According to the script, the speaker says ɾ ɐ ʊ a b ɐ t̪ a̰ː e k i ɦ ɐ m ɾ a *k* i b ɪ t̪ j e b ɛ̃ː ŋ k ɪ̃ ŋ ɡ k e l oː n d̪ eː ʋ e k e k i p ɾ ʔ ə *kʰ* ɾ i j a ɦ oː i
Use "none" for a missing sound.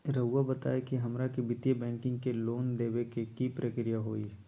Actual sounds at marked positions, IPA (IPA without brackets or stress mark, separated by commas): k, k